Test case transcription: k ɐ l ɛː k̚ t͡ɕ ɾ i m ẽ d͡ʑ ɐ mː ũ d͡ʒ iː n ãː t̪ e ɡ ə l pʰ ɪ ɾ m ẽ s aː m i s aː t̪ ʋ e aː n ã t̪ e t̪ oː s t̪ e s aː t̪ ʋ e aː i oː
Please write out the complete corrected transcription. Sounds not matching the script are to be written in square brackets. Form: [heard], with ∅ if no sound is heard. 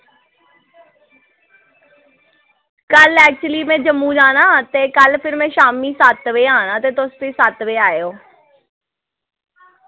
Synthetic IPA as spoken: k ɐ l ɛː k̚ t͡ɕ [l] i m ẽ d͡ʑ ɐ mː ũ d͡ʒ [aː] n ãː t̪ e [k] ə l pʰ ɪ ɾ m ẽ [ʃ] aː m i s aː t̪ ʋ e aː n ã t̪ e t̪ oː s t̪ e s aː t̪ ʋ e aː [j] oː